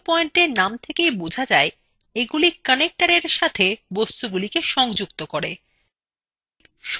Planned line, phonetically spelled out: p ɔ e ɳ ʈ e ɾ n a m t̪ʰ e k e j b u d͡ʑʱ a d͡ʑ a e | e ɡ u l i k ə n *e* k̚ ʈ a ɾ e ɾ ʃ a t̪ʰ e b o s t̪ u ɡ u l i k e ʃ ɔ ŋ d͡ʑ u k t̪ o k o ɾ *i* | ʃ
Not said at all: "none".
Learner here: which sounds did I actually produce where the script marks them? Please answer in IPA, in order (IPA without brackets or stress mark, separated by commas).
e, e